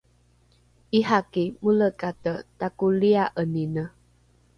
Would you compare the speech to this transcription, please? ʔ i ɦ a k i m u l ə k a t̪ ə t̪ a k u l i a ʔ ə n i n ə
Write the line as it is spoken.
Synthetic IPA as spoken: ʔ i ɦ a k i m u l ə k a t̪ ə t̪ a k u l i a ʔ ə n i n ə